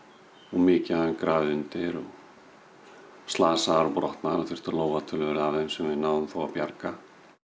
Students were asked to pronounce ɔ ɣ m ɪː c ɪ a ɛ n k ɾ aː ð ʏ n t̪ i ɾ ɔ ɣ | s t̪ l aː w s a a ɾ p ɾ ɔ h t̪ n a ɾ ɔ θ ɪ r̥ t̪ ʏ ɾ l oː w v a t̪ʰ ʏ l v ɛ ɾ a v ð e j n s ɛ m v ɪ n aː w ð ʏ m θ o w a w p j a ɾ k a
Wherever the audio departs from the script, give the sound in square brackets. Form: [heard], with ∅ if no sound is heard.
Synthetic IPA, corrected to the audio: ɔ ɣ m ɪː c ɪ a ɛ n k ɾ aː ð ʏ n t̪ [ɪ] ɾ ɔ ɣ | s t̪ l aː [∅] s a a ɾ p ɾ ɔ h t̪ n a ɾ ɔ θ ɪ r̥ t̪ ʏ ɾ l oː w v a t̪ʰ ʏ l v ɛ ɾ a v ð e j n s ɛ m v ɪ n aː w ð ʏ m θ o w a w p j a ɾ k a